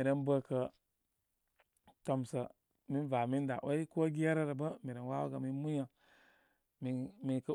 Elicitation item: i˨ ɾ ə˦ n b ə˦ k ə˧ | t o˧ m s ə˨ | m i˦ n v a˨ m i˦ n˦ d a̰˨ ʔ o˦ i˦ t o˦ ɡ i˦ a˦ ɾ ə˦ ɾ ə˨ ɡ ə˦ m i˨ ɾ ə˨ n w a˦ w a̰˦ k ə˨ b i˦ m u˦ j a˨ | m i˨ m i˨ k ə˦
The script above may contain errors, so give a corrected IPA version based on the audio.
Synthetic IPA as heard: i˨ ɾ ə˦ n b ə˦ k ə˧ | t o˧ m s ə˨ | m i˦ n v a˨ m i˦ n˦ d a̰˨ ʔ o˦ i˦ k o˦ ɡ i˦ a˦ ɾ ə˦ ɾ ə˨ b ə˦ m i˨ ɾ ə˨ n w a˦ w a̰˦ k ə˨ m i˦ m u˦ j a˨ | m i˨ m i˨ k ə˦